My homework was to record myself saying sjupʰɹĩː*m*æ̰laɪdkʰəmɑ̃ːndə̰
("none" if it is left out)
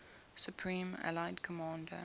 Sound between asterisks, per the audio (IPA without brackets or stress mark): m